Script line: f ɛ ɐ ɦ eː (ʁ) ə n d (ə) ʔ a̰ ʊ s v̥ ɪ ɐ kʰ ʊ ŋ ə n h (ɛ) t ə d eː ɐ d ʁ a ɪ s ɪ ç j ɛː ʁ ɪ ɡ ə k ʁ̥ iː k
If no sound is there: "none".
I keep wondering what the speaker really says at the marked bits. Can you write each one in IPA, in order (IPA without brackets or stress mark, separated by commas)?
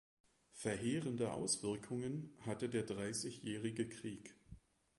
ʁ, ə, a